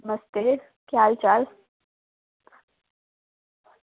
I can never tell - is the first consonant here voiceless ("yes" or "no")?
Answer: no